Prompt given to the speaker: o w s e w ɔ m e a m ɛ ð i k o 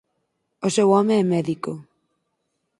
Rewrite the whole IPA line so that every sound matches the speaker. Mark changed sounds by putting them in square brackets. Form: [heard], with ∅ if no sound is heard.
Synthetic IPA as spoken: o [∅] s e w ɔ m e [ɛ] m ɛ ð i k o